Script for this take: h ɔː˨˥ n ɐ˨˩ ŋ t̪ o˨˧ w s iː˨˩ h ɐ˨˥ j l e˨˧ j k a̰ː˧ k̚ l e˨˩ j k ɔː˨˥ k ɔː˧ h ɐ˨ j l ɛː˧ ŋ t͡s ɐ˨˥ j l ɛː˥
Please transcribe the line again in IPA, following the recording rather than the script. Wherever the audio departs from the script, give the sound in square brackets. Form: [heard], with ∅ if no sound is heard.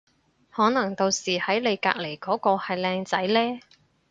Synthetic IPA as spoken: h ɔː˨˥ n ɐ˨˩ ŋ t̪ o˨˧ w s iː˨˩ h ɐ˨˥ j l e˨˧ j k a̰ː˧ k̚ l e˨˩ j k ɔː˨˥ k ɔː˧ h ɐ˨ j l ɛː˧ ŋ t͡s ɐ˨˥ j l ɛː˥